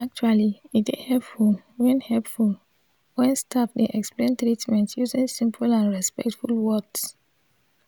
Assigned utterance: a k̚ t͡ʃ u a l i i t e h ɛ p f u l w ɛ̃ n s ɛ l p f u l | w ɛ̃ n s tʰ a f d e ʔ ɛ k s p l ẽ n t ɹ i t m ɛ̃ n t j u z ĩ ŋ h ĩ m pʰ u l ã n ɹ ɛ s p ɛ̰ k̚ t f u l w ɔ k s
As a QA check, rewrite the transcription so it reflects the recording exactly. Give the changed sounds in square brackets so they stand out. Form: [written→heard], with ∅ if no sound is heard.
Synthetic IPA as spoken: a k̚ t͡ʃ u a l i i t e h ɛ p f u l w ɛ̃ n [s→h] ɛ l p f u l | w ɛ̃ n s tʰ a f d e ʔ ɛ k s p l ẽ n t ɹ i t m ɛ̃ n t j u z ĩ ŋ [h→s] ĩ m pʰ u l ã n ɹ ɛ s p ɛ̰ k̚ t f u l w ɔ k s

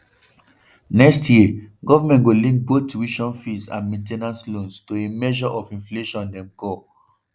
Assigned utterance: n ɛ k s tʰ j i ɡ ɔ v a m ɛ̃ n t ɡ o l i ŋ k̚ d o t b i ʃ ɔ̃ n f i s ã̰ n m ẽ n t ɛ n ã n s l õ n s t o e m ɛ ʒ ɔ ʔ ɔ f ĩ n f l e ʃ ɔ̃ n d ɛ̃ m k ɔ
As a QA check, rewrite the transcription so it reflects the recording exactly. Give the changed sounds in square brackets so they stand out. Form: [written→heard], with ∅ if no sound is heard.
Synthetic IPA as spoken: n ɛ k s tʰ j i ɡ ɔ v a m ɛ̃ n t ɡ o l [i→ĩ] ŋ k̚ [d→b] o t [b→w] i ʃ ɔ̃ n f i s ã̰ n m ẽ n t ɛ n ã n s l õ n s t o e m ɛ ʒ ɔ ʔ ɔ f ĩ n f l e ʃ ɔ̃ n d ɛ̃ m k ɔ

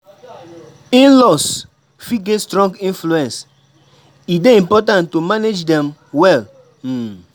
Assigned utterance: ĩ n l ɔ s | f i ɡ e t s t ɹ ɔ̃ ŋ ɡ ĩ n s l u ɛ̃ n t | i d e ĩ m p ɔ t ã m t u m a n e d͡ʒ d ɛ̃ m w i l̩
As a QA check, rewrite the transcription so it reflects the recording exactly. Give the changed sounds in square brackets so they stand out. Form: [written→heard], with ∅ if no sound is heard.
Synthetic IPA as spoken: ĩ n l ɔ s | f i ɡ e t s t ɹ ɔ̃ ŋ ɡ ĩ n [s→f] l u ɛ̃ n [t→s] | i d e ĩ m p ɔ t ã [m→n] t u m a n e d͡ʒ d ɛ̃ m w [i→ɛ] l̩

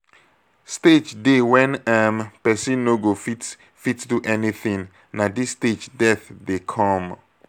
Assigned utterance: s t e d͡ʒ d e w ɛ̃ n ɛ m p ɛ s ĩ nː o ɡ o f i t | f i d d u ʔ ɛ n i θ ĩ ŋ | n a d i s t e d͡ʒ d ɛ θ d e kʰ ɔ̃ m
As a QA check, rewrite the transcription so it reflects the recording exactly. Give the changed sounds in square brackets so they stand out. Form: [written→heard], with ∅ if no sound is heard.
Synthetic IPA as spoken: s t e d͡ʒ d e w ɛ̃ n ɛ m p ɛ s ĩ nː o ɡ o f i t | f i [d→t] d u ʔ ɛ n i θ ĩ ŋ | n a d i s t e d͡ʒ d ɛ θ d e kʰ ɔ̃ m

